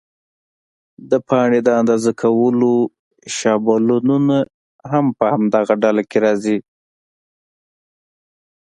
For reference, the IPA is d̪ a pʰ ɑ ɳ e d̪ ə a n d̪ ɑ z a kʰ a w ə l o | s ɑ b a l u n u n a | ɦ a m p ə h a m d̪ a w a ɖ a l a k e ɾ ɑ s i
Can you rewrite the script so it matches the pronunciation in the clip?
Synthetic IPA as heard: d̪ ə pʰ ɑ ɳ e d̪ ə a n d̪ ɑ z a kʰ a w ə l o | ʃ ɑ b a l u n u n a | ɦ a m p ə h a m d̪ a ɣ a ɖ a l a k e ɾ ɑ z i